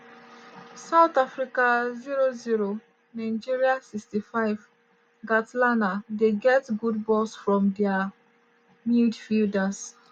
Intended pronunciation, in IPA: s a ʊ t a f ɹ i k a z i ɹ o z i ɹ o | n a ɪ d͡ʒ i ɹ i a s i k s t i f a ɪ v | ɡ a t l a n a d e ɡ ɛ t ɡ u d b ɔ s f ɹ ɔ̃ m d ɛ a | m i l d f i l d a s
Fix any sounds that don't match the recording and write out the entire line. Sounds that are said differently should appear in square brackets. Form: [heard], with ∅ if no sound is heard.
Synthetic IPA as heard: s a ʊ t a f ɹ i k a z i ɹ o z i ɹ o | n a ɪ d͡ʒ i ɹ i a s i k s t i f a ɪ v | ɡ a t l a n a d e ɡ ɛ t ɡ u d b ɔ s f ɹ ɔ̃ m d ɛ a | m i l d f i l d a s